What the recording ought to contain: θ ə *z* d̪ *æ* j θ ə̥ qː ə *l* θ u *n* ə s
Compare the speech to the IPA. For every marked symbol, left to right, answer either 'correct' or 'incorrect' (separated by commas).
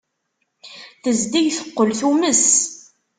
correct, incorrect, correct, incorrect